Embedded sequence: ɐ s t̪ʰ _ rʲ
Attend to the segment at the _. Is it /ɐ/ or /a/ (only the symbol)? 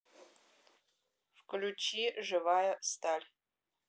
a